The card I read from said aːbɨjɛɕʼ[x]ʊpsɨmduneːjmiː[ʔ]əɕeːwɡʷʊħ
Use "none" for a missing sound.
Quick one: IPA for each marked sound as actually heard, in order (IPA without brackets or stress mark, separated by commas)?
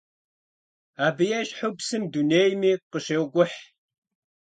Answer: ħ, q